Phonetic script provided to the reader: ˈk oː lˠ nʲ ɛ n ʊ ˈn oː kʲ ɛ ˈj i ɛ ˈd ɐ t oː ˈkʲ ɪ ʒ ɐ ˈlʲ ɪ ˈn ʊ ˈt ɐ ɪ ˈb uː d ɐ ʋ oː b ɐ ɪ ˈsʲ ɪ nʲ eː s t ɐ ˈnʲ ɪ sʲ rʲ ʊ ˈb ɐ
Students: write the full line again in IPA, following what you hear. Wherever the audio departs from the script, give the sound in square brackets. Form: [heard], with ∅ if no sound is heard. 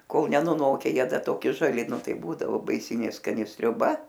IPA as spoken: ˈk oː lˠ nʲ ɛ n ʊ ˈn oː kʲ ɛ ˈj i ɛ ˈd ɐ t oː ˈkʲ ɪ ʒ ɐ ˈlʲ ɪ ˈn ʊ ˈt ɐ ɪ ˈb uː d ɐ ʋ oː b ɐ ɪ ˈsʲ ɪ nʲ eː s [k] ɐ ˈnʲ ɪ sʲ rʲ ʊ ˈb ɐ